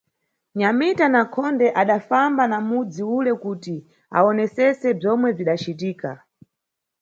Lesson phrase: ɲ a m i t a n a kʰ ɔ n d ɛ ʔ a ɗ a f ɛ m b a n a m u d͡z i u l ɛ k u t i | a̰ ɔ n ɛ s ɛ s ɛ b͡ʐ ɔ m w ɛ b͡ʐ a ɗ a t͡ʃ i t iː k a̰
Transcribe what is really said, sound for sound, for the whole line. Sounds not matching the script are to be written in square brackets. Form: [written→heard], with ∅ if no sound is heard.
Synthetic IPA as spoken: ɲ a m i t a n a kʰ ɔ n d ɛ ʔ a ɗ a f [ɛ→a] m b a n a m u d͡z i u l ɛ k u t i | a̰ ɔ n ɛ s ɛ s ɛ b͡ʐ ɔ m w ɛ b͡ʐ [a→i] ɗ a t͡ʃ i t iː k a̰